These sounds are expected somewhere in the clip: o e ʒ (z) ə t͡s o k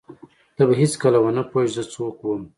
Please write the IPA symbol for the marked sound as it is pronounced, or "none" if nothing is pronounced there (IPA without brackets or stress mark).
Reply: z